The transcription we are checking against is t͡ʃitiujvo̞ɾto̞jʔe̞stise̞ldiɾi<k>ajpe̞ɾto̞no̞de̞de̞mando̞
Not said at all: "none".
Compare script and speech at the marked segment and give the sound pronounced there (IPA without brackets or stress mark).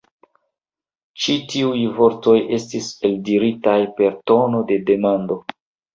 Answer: t